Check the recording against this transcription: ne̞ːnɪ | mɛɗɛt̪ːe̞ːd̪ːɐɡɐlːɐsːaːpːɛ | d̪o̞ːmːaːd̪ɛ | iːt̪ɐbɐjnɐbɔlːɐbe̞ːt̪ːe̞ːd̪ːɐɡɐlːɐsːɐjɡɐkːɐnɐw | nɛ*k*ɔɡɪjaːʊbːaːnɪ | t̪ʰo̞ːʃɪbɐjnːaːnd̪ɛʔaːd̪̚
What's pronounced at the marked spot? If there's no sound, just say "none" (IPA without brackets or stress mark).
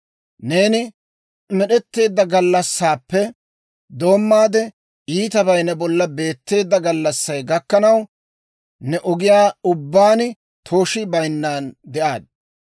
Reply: ʔ